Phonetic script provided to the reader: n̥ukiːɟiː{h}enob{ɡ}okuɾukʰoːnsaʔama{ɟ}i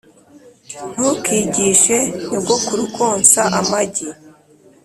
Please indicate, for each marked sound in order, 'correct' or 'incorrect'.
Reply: incorrect: ʃ, correct, correct

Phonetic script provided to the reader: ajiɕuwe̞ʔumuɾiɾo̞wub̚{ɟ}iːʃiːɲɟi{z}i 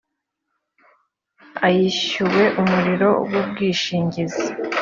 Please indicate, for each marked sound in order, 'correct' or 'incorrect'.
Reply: incorrect: ɡ, correct

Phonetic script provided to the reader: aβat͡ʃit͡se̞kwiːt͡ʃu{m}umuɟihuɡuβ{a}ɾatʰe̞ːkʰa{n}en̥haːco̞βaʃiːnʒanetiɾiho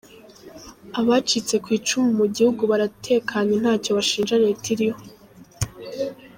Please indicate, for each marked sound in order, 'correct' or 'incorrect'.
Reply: correct, correct, incorrect: ɲ

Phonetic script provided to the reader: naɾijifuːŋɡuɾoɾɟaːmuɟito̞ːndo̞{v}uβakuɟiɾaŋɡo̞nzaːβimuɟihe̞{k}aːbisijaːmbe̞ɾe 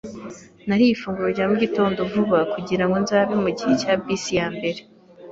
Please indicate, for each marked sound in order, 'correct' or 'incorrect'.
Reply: correct, incorrect: c

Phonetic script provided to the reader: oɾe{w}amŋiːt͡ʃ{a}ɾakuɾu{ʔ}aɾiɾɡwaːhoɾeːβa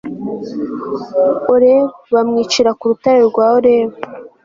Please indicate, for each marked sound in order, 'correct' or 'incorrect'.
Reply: incorrect: β, incorrect: i, incorrect: t

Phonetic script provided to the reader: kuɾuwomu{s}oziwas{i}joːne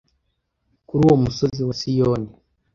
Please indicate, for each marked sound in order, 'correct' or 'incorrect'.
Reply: correct, correct

